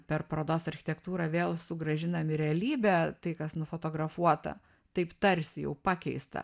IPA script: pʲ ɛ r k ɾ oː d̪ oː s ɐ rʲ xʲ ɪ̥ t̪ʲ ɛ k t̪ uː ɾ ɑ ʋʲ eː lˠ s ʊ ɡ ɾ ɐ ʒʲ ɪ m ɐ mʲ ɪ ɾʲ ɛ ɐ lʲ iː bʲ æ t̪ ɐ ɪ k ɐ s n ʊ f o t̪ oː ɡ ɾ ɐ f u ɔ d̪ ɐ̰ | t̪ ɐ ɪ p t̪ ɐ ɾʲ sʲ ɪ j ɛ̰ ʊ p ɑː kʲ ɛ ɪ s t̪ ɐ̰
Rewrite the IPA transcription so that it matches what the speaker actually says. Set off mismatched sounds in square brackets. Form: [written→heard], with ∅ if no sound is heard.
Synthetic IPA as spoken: pʲ ɛ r [k→p] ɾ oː d̪ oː s ɐ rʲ xʲ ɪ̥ t̪ʲ ɛ k t̪ uː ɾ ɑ ʋʲ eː lˠ s ʊ ɡ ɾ ɐ ʒʲ ɪ [m→n] ɐ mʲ ɪ ɾʲ ɛ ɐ lʲ iː bʲ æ t̪ ɐ ɪ k ɐ s n ʊ f o t̪ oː ɡ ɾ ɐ f u ɔ [d̪→t̪] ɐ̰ | t̪ ɐ ɪ p t̪ ɐ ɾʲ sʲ ɪ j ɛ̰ ʊ p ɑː kʲ ɛ ɪ s t̪ ɐ̰